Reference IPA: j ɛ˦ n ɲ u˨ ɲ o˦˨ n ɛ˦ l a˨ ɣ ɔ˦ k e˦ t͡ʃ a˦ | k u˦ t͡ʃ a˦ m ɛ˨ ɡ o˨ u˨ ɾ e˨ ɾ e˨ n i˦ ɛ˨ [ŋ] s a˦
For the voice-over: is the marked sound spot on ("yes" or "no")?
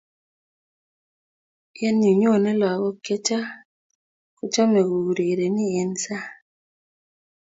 no